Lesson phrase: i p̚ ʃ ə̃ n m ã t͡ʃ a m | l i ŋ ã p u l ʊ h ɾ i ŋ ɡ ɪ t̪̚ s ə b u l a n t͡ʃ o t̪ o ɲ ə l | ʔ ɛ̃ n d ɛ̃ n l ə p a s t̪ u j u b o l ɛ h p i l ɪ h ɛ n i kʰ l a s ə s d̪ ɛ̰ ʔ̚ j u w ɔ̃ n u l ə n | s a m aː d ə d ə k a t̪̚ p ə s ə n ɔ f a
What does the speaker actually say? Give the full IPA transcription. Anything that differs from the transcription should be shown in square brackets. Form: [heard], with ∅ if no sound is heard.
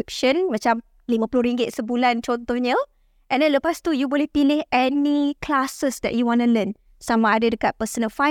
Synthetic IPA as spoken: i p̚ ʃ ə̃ n m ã t͡ʃ a m | l i [m] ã p u l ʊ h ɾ i ŋ ɡ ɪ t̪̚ s ə b u l a n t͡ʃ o t̪ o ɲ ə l | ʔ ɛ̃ n d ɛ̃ n l ə p a s t̪ u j u b o l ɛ h p i l ɪ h ɛ n i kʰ l a s ə s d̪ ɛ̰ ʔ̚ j u w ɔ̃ n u l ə n | s a m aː d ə d ə k a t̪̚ p ə s ə n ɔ f a